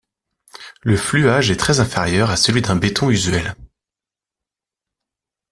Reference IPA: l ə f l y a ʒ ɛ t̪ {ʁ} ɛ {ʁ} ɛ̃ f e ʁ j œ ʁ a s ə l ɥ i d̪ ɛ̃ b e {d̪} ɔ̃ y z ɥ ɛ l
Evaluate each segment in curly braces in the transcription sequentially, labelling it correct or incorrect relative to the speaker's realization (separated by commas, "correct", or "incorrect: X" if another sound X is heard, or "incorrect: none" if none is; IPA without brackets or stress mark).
incorrect: χ, incorrect: z, incorrect: t̪